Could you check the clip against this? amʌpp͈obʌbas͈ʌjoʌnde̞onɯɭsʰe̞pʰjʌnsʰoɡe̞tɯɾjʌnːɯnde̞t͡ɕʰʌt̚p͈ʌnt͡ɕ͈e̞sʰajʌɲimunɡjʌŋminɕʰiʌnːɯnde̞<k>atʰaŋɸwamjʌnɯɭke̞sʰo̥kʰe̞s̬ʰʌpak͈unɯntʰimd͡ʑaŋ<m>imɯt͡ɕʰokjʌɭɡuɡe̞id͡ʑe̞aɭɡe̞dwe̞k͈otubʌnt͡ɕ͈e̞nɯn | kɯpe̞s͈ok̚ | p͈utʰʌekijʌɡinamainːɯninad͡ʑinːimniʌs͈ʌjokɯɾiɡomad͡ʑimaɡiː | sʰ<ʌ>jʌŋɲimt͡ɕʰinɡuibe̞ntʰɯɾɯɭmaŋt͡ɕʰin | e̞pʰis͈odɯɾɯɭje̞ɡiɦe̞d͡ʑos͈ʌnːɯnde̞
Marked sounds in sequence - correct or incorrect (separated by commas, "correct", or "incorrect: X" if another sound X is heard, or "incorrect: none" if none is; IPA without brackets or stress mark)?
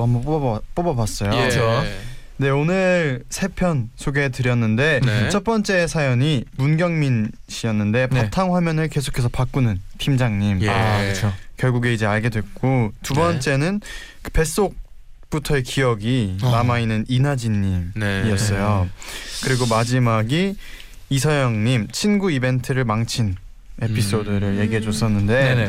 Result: incorrect: p, incorrect: ɲ, correct